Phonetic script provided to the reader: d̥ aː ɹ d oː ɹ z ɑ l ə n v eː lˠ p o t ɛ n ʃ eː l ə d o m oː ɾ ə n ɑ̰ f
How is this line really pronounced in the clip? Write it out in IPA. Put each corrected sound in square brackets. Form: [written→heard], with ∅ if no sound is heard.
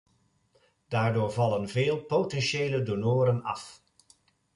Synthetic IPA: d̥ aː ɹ d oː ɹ [z→v] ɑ l ə n v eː lˠ p o t ɛ n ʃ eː l ə d o [m→n] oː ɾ ə n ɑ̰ f